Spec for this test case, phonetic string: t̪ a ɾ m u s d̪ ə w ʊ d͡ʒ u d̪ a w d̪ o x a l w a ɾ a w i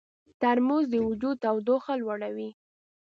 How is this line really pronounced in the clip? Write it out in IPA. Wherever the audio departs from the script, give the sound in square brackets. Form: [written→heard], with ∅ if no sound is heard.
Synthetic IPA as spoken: t̪ a ɾ m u [s→z] d̪ ə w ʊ d͡ʒ u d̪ a w d̪ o x a l w a [ɾ→ɽ] a w i

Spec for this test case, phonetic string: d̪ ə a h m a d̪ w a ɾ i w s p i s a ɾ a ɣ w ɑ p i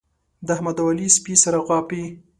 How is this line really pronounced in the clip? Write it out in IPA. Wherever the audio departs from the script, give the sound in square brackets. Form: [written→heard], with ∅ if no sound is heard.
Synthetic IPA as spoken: d̪ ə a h m a d̪ w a [ɾ→l] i [w→∅] s p i s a ɾ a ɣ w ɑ p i

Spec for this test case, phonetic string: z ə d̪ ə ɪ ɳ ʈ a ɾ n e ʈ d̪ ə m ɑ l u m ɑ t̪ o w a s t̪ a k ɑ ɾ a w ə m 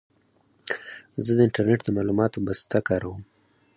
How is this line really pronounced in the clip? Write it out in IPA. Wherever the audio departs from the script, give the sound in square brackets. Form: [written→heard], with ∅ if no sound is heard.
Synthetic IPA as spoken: z ə d̪ ə ɪ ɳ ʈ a ɾ n e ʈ d̪ ə m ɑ l u m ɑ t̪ o [w→b] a s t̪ a k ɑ ɾ a w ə m

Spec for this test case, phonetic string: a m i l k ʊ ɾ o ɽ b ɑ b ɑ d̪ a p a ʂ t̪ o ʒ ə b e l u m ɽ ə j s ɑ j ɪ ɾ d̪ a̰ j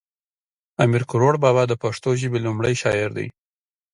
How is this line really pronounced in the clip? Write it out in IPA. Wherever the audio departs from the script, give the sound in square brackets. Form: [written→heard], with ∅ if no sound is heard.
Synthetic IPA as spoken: a m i [l→ɾ] k ʊ ɾ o ɽ b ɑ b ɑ d̪ [a→ə] p a ʂ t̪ o ʒ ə b e l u m ɽ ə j [s→ʃ] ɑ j ɪ ɾ d̪ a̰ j

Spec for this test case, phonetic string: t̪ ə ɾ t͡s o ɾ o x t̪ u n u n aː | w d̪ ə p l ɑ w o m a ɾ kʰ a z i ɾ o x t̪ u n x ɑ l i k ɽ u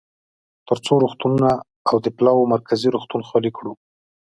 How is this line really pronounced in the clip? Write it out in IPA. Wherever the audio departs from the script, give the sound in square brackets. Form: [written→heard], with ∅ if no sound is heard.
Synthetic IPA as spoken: t̪ ə ɾ t͡s o ɾ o x t̪ u n u n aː | w d̪ ə p l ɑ w o m a ɾ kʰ a z i ɾ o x t̪ u n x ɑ l i k ɽ u

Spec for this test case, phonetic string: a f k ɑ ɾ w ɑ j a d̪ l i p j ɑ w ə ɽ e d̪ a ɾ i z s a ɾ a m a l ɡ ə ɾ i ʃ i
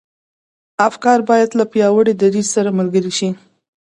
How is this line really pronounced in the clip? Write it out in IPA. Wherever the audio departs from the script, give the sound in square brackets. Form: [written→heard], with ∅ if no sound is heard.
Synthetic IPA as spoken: a f k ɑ ɾ [w→b] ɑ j a d̪ l [i→a] p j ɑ w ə ɽ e d̪ a ɾ i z s a ɾ a m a l ɡ ə ɾ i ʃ i

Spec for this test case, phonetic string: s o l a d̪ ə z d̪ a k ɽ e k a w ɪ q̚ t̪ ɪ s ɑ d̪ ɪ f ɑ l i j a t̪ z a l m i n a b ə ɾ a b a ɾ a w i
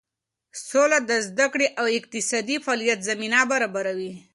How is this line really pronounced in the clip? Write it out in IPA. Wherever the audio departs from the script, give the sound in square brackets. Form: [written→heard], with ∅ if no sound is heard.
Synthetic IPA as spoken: s o l a d̪ ə z d̪ a k ɽ e [k→ʔ] a w ɪ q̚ t̪ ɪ s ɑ d̪ [ɪ→i] f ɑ l i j a t̪ z a [l→∅] m i n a b [ə→a] ɾ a b a ɾ a w i

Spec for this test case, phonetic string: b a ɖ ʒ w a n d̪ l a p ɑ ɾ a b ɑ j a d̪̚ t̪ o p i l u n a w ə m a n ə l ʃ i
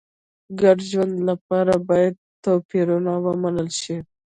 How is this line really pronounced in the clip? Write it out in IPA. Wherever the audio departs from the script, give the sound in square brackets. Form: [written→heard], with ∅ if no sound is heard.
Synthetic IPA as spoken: [b→ɡ] a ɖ ʒ w a n d̪ l a p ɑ ɾ a b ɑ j a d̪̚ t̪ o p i [l→ɾ] u n a w ə m a n ə l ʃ i

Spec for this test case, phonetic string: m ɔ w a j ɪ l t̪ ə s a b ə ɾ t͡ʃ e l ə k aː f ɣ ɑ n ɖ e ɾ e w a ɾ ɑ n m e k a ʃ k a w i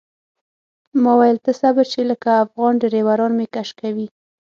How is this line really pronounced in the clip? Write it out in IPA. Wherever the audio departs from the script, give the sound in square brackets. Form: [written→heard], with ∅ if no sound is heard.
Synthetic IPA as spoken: m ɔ w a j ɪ l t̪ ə s a b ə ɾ t͡ʃ e l ə k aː f ɣ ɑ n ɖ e ɾ e w a ɾ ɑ n m e k a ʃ k a w i

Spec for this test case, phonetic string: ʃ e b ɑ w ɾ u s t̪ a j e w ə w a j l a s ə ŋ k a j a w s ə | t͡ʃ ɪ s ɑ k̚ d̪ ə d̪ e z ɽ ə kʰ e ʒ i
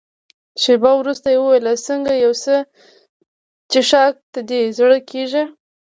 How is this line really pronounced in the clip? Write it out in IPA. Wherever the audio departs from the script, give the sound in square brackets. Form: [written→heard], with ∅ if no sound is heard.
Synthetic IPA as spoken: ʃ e b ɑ w ɾ u s t̪ a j e w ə w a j l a s ə ŋ [k→ɡ] a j a w s ə | t͡ʃ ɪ [s→ʃ] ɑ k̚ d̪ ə d̪ e z ɽ ə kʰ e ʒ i

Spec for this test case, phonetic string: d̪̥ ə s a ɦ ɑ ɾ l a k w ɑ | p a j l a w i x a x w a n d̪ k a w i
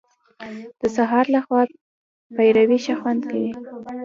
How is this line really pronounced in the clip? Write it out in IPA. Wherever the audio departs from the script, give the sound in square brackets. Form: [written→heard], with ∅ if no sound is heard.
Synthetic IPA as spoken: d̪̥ ə s a ɦ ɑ ɾ l a [k→x] w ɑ | p a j [l→ɾ] a w i [x→ʃ] a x w a n d̪ k a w i

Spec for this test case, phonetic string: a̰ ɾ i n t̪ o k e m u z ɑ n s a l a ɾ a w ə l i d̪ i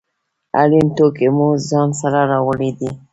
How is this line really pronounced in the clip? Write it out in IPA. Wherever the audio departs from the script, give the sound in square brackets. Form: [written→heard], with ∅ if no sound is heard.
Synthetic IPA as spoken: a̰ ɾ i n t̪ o k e m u z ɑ n s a [l→ɾ] a ɾ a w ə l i d̪ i

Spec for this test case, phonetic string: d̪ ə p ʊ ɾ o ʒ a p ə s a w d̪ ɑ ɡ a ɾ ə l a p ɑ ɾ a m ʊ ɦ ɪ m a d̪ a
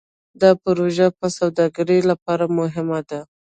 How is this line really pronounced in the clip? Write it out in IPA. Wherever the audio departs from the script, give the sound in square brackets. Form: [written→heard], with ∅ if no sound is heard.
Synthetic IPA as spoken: d̪ [ə→ɑ] p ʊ ɾ o ʒ a p ə s a w d̪ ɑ ɡ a ɾ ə l a p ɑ ɾ a m ʊ ɦ ɪ m a d̪ a

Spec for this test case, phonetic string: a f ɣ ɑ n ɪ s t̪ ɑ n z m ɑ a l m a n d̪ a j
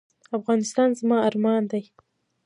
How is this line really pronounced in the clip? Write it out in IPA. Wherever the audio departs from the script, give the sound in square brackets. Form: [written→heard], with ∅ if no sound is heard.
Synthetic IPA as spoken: a f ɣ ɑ n ɪ s t̪ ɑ n z m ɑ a [l→ɾ] m [a→ɑ] n d̪ a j

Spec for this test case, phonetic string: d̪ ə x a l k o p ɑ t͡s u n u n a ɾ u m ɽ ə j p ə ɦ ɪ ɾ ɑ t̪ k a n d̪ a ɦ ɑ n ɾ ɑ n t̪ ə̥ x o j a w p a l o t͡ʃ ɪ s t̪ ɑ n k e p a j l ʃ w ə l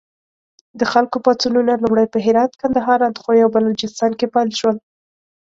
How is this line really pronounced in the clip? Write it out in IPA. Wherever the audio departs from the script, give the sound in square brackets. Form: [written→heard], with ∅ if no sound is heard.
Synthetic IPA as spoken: d̪ ə x a l k o p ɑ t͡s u n u n a [ɾ→l] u m ɽ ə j p ə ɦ ɪ ɾ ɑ t̪ k a n d̪ a ɦ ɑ [n→∅] ɾ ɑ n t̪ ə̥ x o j a w [p→b] a l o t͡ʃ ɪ s t̪ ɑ n k e p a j l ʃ w ə l

